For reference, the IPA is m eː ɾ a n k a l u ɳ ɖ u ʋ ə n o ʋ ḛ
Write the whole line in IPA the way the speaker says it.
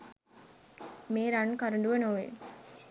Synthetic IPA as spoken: m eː ɾ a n k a ɾ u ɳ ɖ u ʋ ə n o ʋ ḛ

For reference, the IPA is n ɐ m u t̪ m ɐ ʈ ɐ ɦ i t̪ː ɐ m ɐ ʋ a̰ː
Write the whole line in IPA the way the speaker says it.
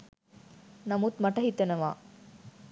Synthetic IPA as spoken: n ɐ m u t̪ m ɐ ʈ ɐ ɦ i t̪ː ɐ n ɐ ʋ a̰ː

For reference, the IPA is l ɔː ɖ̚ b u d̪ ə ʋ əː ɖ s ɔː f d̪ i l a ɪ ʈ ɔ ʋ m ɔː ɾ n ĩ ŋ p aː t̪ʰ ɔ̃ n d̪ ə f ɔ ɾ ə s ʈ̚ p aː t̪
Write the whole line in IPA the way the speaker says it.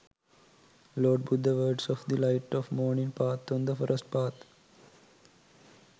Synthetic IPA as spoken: l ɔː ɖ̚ b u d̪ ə ʋ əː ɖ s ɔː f d̪ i l a ɪ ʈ ɔ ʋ m ɔː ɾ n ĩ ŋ p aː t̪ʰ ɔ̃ n d̪ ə f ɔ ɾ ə s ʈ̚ p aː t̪

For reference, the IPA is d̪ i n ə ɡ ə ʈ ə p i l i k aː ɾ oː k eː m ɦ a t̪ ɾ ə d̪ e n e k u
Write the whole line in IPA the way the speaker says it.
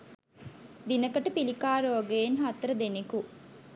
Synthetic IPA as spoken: d̪ i n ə k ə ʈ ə p i l i k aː ɾ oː ɡ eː n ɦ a t̪ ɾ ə d̪ e n e k u

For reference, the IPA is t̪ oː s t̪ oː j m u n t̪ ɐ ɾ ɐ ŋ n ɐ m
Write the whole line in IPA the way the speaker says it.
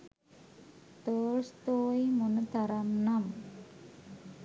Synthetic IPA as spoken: t̪ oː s t̪ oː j m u n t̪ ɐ ɾ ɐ m n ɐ m

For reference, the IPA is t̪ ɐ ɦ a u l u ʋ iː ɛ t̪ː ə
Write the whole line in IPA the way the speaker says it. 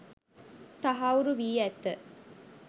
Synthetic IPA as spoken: t̪ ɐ ɦ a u ɾ u ʋ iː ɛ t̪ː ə

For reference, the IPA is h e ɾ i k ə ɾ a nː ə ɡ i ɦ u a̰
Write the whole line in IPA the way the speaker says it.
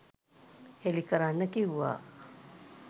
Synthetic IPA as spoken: h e l i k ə ɾ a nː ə k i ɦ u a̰

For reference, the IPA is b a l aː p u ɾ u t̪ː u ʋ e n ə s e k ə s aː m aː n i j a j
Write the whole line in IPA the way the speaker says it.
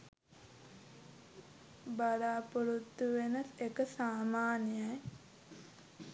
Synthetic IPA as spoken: b a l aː p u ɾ u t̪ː u ʋ e n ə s e k ə s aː m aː n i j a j

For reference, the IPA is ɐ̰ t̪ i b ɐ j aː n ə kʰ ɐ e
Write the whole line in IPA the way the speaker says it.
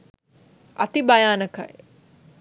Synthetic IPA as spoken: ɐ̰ t̪ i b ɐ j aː n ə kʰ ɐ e

